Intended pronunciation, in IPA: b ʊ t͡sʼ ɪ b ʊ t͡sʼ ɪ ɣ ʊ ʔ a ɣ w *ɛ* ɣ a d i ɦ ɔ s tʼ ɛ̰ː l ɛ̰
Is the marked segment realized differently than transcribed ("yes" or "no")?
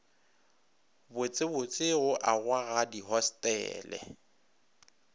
yes